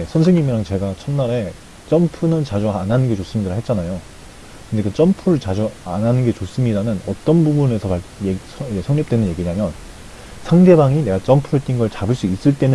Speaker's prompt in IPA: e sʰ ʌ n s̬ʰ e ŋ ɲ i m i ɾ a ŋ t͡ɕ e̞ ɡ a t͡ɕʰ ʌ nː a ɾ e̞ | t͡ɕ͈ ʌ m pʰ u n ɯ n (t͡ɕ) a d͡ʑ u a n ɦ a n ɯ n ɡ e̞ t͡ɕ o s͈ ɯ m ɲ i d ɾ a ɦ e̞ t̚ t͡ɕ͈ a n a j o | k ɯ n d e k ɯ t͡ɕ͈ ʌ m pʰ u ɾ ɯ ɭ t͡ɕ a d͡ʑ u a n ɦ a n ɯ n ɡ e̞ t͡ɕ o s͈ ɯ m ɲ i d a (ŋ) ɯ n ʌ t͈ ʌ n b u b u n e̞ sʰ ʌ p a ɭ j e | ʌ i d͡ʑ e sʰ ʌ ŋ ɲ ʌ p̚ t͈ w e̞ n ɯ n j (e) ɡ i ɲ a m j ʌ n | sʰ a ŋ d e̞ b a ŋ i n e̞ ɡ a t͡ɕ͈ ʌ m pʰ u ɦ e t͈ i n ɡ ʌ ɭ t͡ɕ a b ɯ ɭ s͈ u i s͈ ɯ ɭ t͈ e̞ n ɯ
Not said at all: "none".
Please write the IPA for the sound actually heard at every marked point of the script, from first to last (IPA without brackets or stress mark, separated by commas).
t͡ɕ, n, e